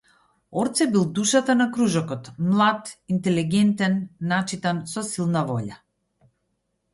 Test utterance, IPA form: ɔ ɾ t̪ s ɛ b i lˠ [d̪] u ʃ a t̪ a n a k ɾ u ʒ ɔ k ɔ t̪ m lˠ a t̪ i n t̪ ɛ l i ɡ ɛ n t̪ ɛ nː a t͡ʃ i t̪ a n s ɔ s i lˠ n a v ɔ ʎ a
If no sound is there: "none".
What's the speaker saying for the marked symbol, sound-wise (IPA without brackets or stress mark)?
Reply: d̪